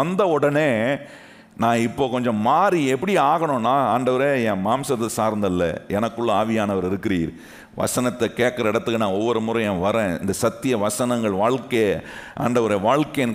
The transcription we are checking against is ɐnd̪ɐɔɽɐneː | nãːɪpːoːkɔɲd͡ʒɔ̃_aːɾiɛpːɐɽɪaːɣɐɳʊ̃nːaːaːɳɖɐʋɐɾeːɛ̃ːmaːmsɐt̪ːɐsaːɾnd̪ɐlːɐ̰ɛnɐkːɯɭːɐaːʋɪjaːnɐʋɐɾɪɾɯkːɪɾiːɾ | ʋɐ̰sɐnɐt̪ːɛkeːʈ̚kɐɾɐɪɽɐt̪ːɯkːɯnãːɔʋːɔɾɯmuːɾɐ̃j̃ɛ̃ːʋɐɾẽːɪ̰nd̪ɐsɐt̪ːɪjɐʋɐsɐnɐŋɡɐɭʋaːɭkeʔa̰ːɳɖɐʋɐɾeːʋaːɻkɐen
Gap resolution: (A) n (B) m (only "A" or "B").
B